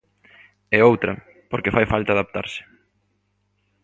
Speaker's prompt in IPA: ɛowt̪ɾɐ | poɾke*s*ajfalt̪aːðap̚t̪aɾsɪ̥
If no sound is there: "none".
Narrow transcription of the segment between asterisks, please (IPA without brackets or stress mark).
f